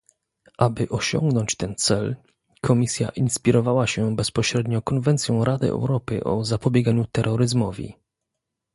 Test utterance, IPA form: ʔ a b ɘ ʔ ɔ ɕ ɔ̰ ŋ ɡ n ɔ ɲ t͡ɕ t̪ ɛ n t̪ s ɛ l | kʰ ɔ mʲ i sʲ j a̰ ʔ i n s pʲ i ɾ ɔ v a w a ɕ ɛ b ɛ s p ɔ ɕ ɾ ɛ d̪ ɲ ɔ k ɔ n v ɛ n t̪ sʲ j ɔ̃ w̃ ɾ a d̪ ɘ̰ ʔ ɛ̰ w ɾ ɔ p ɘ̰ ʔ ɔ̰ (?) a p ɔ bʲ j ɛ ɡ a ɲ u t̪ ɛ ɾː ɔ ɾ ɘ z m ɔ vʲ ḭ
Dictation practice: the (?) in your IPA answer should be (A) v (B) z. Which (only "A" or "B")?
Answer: B